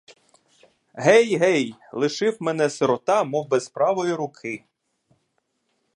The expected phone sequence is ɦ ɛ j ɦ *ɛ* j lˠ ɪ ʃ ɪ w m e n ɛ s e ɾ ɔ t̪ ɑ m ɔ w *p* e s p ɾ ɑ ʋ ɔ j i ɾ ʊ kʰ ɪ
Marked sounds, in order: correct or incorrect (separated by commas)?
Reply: correct, incorrect